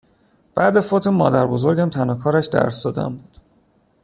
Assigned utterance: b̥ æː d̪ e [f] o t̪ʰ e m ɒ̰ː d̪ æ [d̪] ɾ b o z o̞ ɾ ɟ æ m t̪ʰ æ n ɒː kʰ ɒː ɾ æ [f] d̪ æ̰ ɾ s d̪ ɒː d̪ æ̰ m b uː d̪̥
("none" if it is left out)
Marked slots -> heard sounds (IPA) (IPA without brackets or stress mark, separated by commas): f, none, ʃ